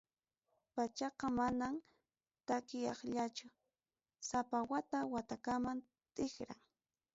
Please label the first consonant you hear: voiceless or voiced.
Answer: voiceless